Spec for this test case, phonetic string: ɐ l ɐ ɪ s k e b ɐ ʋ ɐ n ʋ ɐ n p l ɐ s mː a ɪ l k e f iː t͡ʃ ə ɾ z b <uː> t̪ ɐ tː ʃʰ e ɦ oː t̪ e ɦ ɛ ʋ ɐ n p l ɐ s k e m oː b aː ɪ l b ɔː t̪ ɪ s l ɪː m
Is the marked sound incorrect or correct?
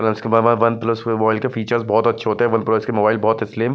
incorrect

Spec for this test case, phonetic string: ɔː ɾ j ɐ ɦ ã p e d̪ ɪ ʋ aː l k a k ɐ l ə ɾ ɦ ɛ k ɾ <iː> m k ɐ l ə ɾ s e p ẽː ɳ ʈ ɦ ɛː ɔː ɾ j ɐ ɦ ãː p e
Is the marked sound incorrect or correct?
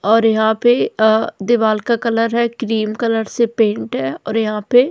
correct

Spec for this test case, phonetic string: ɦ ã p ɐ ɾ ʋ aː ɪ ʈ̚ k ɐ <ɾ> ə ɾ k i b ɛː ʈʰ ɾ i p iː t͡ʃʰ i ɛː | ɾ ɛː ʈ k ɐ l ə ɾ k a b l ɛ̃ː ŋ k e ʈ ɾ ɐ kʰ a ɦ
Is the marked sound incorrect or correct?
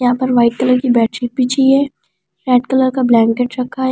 incorrect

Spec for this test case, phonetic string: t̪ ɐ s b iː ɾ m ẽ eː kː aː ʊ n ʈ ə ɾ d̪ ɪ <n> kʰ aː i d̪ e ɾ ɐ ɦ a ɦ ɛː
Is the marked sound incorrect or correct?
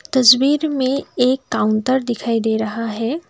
incorrect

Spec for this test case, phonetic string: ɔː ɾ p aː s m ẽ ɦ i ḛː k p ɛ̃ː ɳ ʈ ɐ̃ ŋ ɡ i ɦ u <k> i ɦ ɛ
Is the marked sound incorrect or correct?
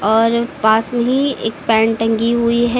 incorrect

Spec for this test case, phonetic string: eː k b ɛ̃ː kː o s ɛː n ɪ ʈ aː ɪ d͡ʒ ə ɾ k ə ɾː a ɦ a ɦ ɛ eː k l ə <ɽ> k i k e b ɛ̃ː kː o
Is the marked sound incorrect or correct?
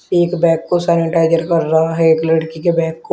correct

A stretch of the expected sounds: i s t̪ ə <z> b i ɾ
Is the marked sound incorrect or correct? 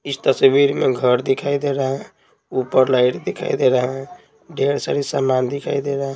incorrect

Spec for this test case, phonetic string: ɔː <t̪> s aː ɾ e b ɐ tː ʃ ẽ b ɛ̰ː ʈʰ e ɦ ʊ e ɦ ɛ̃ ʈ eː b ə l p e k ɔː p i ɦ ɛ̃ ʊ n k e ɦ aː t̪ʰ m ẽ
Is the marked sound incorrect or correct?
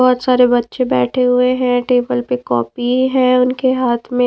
correct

